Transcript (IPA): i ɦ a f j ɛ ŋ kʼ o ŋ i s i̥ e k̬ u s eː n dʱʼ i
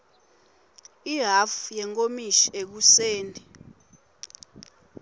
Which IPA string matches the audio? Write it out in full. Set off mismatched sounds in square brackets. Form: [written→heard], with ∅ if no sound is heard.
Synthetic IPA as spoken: i ɦ a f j ɛ ŋ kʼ o [ŋ→m] i [s→ʃ] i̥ e k̬ u s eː n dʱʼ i